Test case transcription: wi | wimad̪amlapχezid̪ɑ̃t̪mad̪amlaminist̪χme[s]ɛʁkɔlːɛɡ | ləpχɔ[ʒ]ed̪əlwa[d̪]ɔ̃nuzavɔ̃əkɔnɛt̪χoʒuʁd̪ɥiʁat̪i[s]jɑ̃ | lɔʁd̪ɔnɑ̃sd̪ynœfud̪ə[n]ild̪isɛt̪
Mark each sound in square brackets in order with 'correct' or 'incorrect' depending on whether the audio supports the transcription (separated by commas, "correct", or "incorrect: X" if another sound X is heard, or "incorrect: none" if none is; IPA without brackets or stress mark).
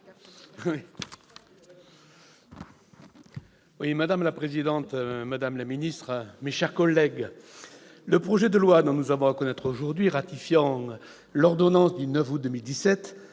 incorrect: ʃ, correct, correct, incorrect: f, incorrect: m